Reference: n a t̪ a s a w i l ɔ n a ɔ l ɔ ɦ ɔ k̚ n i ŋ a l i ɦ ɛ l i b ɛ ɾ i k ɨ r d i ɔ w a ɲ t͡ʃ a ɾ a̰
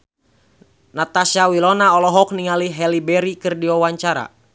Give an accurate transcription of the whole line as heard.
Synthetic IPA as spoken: n a t̪ a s a w i l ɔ n a ɔ l ɔ ɦ ɔ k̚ n i ŋ a l i ɦ ɛ l i b ɛ ɾ i k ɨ r d i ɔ w a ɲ t͡ʃ a ɾ a̰